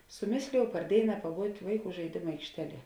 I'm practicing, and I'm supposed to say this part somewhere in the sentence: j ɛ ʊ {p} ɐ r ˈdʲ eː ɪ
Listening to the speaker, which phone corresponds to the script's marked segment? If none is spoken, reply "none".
p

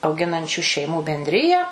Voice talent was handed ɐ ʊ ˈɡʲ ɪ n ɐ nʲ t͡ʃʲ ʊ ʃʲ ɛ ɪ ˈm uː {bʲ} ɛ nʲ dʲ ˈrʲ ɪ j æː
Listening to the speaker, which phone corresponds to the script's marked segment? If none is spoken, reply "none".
bʲ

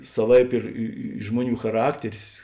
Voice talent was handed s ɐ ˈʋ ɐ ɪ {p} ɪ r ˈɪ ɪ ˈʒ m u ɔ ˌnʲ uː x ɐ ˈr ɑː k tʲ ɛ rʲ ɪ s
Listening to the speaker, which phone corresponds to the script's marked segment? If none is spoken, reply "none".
p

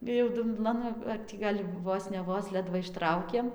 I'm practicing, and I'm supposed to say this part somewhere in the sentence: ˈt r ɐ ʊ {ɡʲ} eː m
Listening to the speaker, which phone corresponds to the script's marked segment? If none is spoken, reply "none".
kʲ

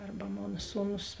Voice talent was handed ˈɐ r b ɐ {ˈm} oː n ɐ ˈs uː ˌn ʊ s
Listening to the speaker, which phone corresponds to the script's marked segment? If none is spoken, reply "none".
m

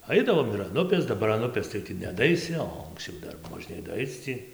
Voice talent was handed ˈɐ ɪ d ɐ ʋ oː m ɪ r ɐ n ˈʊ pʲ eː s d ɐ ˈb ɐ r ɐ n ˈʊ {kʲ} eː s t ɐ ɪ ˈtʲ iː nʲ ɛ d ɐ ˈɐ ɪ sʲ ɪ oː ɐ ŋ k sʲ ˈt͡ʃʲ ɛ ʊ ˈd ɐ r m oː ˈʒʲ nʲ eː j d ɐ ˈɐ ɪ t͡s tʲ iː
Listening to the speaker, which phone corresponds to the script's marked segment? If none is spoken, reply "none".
pʲ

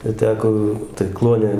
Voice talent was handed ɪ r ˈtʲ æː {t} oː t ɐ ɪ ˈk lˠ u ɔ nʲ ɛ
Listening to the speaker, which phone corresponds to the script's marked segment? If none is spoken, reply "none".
k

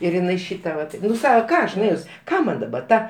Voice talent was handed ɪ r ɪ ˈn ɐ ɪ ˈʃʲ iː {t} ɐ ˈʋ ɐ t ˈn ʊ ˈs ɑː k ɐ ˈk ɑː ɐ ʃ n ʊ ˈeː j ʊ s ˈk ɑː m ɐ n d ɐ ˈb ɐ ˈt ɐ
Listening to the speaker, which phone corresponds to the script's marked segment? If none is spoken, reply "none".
t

